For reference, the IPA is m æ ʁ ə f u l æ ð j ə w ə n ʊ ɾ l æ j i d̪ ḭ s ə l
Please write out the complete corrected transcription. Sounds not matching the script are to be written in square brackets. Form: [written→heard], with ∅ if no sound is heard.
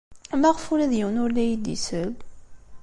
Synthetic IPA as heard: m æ ʁ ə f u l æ ð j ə w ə n ʊ ɾ l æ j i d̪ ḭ s ə l